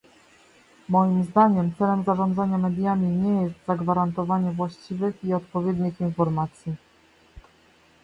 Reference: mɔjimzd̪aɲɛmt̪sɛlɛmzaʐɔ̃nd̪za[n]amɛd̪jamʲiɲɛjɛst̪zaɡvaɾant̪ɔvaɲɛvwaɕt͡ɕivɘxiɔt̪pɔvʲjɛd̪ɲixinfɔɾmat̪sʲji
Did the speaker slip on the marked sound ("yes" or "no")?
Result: yes